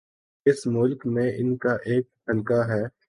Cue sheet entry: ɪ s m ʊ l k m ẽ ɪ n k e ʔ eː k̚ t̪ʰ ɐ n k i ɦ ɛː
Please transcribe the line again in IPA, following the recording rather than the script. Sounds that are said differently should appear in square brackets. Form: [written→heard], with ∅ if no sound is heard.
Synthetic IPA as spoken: ɪ s m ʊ l k m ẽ ɪ n k [e→a] ʔ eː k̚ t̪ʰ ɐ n k [i→a] ɦ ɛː